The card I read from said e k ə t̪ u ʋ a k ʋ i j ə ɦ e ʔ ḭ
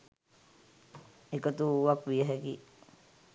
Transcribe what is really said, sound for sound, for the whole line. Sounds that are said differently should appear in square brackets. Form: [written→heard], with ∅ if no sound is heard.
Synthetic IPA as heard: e k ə t̪ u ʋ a k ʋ i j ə ɦ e [ʔ→k] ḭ